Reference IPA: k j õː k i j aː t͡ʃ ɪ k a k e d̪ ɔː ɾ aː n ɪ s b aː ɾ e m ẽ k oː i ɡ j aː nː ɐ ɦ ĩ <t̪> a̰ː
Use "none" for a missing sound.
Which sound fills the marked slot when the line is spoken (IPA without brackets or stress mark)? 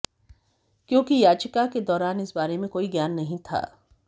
t̪ʰ